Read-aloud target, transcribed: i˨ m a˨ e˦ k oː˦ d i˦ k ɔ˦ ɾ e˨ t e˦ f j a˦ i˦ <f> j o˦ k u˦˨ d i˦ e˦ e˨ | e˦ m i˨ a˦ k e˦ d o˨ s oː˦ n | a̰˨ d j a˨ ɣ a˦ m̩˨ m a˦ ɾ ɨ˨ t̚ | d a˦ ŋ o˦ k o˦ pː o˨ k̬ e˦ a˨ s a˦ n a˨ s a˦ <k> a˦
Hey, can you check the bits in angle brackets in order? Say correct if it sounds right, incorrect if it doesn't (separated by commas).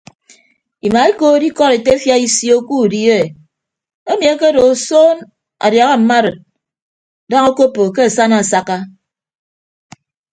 incorrect, correct